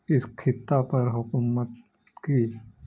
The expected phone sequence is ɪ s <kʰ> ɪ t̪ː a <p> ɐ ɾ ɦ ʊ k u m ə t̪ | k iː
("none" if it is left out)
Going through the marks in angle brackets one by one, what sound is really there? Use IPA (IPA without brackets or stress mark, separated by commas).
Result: kʰ, p